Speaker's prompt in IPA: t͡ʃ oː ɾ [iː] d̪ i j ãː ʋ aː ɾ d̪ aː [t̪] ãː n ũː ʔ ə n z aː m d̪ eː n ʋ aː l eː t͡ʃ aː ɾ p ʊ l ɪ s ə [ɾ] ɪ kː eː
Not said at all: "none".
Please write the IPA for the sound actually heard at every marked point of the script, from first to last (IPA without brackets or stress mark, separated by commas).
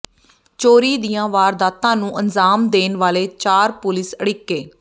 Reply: iː, t̪, ɽ